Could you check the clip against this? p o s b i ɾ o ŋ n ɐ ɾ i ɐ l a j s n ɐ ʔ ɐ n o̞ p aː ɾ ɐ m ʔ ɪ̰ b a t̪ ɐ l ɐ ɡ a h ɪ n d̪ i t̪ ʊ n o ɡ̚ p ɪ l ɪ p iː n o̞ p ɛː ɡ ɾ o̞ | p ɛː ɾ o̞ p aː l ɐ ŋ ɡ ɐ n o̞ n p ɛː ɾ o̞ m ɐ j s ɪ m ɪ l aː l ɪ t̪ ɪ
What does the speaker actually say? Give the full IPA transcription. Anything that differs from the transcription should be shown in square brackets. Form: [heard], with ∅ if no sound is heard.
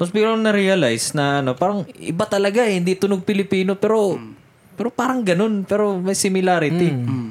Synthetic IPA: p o s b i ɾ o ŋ n ɐ ɾ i ɐ l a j s n ɐ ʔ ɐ n o̞ p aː ɾ ɐ [ŋ] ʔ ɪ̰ b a t̪ ɐ l ɐ ɡ a h ɪ n d̪ i t̪ ʊ n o ɡ̚ p ɪ l ɪ p iː n o̞ p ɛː [∅] ɾ o̞ | p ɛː ɾ o̞ p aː [ɾ] ɐ ŋ ɡ ɐ n o̞ n p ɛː ɾ o̞ m ɐ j s ɪ m ɪ l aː [ɾ] ɪ t̪ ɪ